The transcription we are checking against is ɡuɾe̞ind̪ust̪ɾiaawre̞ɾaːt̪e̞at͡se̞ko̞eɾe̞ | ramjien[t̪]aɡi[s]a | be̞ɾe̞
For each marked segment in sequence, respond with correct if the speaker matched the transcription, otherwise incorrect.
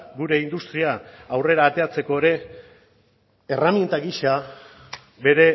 correct, incorrect: ʃ

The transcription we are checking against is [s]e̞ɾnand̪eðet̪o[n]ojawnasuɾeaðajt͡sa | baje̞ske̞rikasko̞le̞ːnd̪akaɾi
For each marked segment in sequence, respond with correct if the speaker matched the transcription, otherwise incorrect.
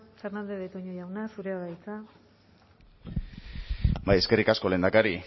incorrect: f, incorrect: ɲ

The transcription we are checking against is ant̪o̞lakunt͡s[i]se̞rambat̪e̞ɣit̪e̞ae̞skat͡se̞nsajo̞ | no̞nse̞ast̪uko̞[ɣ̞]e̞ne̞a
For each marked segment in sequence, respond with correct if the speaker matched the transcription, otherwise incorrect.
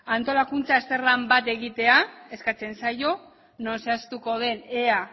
incorrect: a, incorrect: ð̞

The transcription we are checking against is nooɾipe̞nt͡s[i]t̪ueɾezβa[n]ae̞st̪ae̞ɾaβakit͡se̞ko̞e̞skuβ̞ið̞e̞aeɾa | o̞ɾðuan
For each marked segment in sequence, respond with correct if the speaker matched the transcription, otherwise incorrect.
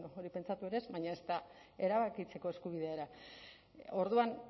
incorrect: a, incorrect: ɲ

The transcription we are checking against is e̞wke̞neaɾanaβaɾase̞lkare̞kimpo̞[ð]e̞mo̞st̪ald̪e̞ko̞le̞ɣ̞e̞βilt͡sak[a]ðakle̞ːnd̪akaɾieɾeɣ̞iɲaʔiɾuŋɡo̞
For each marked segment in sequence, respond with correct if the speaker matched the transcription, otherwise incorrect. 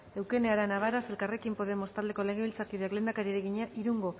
correct, incorrect: i

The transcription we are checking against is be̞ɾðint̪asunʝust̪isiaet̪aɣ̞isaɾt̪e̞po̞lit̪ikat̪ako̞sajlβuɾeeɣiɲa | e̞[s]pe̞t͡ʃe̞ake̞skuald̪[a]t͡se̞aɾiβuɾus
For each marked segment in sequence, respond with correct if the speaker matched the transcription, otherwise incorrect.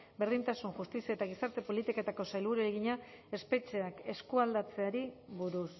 correct, correct

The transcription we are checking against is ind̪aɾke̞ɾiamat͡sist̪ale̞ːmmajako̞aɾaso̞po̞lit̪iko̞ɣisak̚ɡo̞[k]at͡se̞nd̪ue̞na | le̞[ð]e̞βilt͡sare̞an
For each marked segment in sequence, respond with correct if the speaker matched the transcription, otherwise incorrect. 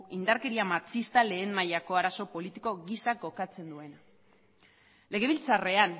correct, incorrect: ɣ

